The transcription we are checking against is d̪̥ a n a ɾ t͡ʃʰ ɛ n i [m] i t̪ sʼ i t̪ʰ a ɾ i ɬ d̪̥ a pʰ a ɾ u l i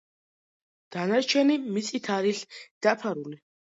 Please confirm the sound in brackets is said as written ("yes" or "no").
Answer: yes